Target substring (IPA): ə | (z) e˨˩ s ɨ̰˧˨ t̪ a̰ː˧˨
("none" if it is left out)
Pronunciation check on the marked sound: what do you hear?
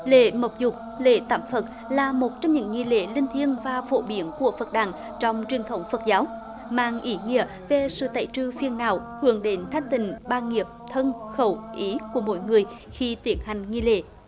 v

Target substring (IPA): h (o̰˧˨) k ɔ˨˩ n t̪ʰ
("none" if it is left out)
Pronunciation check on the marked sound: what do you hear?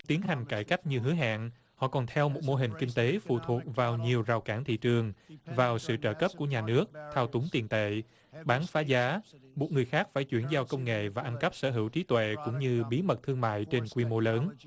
ɔ̰˧˨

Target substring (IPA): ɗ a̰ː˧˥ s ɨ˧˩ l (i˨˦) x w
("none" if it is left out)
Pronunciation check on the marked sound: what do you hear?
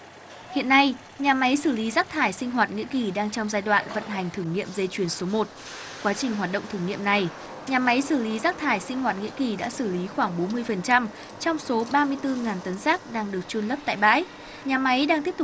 i˨˦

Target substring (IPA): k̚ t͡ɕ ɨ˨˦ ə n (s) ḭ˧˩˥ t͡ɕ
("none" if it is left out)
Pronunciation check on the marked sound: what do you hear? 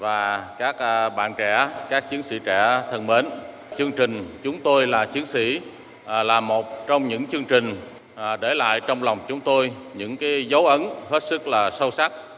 s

